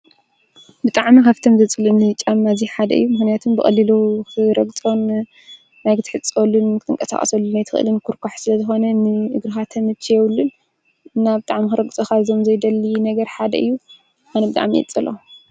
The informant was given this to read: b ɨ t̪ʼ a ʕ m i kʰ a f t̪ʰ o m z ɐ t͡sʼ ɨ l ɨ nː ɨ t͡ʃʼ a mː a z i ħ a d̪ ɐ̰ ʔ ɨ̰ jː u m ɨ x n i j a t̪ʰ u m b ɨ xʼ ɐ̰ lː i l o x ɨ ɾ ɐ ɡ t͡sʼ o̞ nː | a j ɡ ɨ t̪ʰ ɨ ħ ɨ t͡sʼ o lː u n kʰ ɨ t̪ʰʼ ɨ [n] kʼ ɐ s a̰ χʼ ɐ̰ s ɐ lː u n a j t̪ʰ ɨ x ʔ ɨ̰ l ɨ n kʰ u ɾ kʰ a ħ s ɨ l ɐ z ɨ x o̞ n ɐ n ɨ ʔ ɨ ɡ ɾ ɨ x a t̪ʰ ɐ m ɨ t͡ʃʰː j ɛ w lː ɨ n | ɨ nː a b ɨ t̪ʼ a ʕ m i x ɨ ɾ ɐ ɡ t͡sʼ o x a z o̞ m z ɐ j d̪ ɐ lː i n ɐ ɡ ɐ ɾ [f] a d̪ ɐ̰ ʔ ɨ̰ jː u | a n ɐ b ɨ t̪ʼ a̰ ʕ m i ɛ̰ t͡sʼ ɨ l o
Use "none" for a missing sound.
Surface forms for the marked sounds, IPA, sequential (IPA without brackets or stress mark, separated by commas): ŋ, ħ